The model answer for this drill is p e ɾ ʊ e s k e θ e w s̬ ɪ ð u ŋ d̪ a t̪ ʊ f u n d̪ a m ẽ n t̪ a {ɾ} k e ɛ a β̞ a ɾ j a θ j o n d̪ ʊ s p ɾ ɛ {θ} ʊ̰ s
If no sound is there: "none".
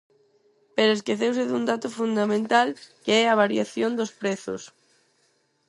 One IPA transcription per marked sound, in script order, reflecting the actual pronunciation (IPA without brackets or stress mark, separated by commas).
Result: l, θ